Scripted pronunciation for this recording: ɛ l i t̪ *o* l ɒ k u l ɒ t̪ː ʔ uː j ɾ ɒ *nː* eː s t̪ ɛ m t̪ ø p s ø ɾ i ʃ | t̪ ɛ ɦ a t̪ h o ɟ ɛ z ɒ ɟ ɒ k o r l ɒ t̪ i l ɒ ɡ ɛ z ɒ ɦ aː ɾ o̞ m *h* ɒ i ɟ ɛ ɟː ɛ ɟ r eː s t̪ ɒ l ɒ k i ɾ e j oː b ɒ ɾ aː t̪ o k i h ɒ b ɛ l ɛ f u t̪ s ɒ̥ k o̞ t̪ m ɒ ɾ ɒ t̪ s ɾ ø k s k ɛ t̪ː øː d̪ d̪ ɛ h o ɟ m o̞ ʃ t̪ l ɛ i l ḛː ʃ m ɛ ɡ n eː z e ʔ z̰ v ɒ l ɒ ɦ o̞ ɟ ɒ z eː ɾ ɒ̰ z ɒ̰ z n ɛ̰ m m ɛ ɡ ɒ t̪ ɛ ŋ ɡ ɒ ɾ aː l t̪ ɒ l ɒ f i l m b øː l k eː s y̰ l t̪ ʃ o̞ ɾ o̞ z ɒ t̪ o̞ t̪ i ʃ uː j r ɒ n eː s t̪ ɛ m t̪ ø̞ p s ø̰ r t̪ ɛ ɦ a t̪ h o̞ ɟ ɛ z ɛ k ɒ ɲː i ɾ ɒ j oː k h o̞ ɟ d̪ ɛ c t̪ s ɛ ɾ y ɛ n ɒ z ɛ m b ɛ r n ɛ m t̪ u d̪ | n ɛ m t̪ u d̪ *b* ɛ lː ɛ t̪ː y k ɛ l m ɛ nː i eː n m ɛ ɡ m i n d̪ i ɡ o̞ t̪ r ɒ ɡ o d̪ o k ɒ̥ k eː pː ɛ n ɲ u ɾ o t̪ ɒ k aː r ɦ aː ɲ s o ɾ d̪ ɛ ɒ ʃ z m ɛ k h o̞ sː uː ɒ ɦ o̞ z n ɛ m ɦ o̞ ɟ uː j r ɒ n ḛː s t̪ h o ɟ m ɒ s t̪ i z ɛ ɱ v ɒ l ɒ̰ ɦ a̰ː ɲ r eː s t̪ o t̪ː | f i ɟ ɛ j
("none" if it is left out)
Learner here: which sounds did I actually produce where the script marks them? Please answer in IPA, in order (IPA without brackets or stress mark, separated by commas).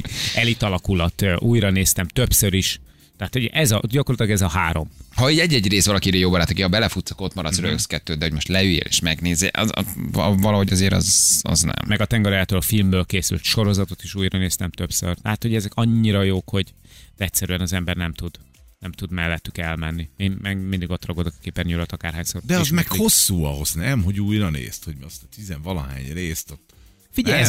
ɒ, n, h, m